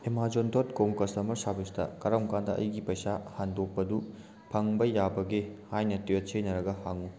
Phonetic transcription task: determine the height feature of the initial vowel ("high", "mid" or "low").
mid